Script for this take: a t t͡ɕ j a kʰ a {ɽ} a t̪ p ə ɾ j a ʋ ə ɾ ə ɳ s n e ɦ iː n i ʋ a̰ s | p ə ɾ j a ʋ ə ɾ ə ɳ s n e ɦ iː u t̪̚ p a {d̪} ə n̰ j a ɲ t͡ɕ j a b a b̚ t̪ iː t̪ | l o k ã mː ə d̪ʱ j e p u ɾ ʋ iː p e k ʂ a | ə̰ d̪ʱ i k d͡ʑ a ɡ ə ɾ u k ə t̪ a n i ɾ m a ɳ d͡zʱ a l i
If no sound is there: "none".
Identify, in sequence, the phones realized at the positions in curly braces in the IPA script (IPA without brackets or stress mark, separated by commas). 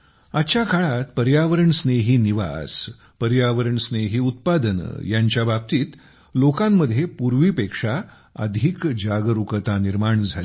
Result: ɭ, d̪